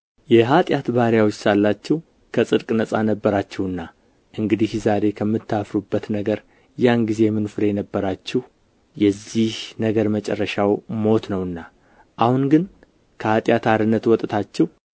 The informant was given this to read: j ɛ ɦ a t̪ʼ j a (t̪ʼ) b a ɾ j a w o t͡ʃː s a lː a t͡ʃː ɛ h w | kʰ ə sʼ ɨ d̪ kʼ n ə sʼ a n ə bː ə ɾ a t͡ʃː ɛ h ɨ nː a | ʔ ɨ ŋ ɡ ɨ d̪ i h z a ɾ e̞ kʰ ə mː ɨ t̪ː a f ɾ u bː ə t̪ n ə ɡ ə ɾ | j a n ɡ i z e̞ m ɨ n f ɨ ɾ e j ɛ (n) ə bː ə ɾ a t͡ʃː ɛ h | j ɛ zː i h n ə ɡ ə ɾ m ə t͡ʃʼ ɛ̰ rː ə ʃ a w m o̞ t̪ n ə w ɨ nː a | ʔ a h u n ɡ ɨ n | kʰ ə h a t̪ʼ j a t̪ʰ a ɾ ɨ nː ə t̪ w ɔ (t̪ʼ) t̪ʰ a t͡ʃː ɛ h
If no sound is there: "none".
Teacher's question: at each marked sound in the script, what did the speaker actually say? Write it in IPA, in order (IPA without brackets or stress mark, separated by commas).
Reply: t̪, n, t̪ʼ